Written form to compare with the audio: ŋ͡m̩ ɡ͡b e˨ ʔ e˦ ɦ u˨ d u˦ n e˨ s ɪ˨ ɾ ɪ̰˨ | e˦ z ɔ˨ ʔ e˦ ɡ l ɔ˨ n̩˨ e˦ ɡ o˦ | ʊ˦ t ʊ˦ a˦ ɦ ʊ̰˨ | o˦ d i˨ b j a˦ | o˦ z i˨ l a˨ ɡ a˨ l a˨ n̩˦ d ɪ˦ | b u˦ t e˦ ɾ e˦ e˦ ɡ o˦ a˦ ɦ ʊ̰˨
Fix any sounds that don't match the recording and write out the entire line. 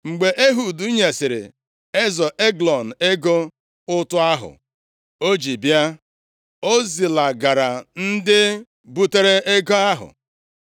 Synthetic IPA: ŋ͡m̩ ɡ͡b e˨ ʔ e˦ ɦ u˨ d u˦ ɲ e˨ s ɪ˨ ɾ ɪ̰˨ | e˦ z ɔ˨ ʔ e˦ ɡ l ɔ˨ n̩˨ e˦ ɡ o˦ | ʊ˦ t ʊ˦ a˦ ɦ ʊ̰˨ | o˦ d͡ʒ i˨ b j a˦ | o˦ z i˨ l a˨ ɡ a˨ ɾ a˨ n̩˦ d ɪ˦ | b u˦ t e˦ ɾ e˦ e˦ ɡ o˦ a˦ ɦ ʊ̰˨